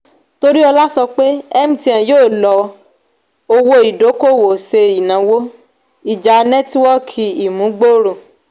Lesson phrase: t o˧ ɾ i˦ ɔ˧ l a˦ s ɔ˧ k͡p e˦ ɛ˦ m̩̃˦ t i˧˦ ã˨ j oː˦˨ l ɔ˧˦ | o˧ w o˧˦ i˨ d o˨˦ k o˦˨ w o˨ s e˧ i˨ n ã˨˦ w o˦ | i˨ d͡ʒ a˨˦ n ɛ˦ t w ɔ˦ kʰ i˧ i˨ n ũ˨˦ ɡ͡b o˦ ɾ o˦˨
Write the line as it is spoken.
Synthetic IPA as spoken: t o˧ ɾ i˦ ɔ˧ l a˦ s ɔ˧ k͡p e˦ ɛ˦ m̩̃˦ t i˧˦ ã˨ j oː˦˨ l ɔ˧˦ | o˧ w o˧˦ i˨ d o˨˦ k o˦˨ w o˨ s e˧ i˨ n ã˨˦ w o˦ | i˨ d͡ʒ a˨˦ n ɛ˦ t w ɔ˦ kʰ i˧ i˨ m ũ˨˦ ɡ͡b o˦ ɾ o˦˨